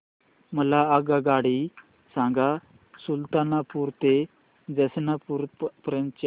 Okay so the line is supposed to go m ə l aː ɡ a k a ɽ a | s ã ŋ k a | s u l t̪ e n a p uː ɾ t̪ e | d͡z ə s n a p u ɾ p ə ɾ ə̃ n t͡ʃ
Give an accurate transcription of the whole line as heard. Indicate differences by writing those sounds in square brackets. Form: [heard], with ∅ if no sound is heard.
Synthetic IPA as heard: m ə l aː ɡ a [ɡ] a ɽ [i] | s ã ŋ [ɡ] a | s u l t̪ [a] n a p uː ɾ t̪ e | d͡z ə s n a p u ɾ p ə ɾ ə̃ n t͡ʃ